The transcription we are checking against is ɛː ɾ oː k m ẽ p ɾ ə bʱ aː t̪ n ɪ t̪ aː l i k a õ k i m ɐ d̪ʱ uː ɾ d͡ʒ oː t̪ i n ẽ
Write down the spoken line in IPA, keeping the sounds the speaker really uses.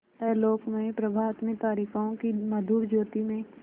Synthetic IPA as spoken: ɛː l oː k m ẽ p ɾ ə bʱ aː t̪ m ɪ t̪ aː ɾ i k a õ k i m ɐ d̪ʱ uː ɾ d͡ʒ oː t̪ i m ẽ